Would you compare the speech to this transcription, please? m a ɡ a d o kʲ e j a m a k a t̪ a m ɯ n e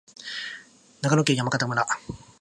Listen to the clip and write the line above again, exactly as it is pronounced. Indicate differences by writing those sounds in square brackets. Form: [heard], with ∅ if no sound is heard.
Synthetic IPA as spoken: [n] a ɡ a [n] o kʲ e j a m a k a t̪ a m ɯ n [a]